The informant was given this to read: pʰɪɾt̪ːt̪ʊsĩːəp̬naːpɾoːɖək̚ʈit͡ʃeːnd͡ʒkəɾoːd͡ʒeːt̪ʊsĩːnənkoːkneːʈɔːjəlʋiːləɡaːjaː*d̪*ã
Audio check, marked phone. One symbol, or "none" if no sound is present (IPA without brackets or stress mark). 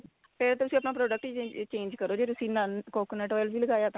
t̪